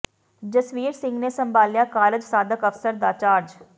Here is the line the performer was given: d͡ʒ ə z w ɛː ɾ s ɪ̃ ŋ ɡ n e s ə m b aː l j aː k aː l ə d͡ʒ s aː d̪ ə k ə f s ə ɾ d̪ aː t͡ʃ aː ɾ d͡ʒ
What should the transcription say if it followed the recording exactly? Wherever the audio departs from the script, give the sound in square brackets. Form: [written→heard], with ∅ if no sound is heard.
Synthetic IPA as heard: d͡ʒ ə [z→s] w [ɛː→iː] ɾ s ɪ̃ ŋ ɡ n e s ə m b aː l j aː k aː [l→ɾ] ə d͡ʒ s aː d̪ ə k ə f s ə ɾ d̪ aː t͡ʃ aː ɾ d͡ʒ

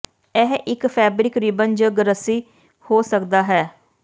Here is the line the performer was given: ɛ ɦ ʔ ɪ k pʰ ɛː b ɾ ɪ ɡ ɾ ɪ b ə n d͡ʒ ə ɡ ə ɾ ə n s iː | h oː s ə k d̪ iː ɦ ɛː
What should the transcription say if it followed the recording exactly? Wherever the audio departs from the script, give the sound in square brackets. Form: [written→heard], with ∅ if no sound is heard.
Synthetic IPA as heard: ɛ ɦ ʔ ɪ k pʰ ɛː b ɾ ɪ [ɡ→k] ɾ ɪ b ə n d͡ʒ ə ɡ ə ɾ ə [n→∅] s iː | h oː s ə k d̪ [iː→aː] ɦ ɛː

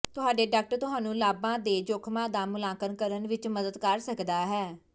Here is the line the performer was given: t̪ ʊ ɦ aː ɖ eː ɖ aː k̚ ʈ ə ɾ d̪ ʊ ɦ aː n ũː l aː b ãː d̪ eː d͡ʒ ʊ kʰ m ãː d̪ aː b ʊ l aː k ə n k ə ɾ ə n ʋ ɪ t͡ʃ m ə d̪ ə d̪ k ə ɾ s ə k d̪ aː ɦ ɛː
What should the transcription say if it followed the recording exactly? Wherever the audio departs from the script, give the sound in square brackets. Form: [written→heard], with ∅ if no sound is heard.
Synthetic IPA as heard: t̪ ʊ ɦ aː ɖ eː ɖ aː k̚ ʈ ə ɾ [d̪→t̪] ʊ ɦ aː n ũː l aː b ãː d̪ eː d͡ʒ ʊ kʰ m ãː d̪ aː [b→m] ʊ l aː k ə n k ə ɾ ə n ʋ ɪ t͡ʃ m ə d̪ ə d̪ k ə ɾ s ə k d̪ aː ɦ ɛː

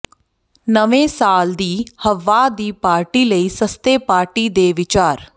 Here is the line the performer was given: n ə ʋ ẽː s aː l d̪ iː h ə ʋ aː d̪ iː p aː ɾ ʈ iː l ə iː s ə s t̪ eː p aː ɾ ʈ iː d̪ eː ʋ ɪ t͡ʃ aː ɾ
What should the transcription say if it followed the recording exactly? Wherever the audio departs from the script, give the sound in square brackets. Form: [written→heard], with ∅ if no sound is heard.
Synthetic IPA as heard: n ə ʋ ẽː s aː l d̪ iː h ə ʋ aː d̪ iː p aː ɾ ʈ iː l ə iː s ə s t̪ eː p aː ɾ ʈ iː d̪ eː ʋ ɪ t͡ʃ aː ɾ

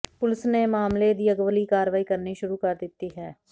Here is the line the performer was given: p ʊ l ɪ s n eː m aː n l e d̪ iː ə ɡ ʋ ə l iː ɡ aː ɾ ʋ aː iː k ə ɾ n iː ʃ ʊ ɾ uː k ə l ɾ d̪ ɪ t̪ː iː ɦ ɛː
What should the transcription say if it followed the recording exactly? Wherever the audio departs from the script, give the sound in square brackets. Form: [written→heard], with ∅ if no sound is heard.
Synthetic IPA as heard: p ʊ l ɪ s n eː m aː [n→m] l e d̪ iː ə ɡ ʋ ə l iː [ɡ→k] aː ɾ ʋ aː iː k ə ɾ n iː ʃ ʊ ɾ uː k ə [l→∅] ɾ d̪ ɪ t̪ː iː ɦ ɛː

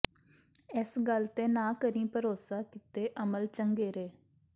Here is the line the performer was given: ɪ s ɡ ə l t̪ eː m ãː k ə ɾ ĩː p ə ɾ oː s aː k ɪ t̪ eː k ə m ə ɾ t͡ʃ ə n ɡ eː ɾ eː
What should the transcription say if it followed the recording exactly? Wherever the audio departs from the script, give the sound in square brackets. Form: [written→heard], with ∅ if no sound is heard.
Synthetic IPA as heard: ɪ s ɡ ə l t̪ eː [m→n] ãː k ə ɾ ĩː p ə ɾ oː s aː k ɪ t̪ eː [k→ʔ] ə m ə [ɾ→l] t͡ʃ ə [n→ŋ] ɡ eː ɾ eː

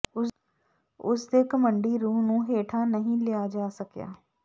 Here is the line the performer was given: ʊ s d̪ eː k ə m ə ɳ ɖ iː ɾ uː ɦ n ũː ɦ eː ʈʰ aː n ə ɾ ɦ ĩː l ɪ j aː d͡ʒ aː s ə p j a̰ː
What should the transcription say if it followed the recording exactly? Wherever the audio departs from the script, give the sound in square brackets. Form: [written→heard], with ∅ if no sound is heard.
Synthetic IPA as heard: ʊ s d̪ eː k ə m ə ɳ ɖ iː ɾ uː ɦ n ũː ɦ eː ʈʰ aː n ə [ɾ→∅] ɦ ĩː l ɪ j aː d͡ʒ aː s ə [p→k] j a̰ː

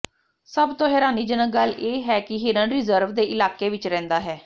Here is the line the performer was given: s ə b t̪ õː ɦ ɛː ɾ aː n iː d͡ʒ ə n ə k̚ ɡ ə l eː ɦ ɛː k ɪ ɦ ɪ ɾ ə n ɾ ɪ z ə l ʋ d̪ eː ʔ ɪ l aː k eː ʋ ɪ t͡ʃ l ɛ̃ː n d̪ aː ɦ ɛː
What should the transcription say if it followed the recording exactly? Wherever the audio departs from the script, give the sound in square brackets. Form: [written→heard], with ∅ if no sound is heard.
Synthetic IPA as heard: s ə b t̪ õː ɦ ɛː ɾ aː n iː d͡ʒ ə n ə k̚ ɡ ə l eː ɦ ɛː k ɪ ɦ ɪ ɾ ə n ɾ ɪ z ə [l→ɾ] ʋ d̪ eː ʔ ɪ l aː k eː ʋ ɪ t͡ʃ [l→ɾ] ɛ̃ː n d̪ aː ɦ ɛː

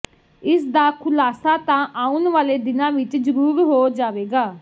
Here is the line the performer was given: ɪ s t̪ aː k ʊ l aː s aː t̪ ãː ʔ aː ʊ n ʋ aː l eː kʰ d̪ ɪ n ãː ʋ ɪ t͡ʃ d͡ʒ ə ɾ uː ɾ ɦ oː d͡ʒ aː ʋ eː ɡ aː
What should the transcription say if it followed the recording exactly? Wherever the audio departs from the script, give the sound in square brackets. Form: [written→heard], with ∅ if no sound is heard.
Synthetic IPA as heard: ɪ s [t̪→d̪] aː [k→kʰ] ʊ l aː s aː t̪ ãː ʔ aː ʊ n ʋ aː l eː [kʰ→∅] d̪ ɪ n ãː ʋ ɪ t͡ʃ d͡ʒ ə ɾ uː ɾ ɦ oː d͡ʒ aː ʋ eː ɡ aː

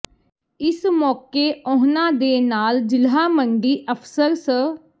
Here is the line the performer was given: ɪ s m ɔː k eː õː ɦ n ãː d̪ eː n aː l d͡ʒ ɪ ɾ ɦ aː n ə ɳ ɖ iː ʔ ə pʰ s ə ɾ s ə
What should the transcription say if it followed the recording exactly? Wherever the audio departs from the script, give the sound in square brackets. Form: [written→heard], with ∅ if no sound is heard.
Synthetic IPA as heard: ɪ s m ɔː k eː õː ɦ n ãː d̪ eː n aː l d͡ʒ ɪ [ɾ→l] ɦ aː [n→m] ə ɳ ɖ iː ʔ ə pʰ s ə ɾ s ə

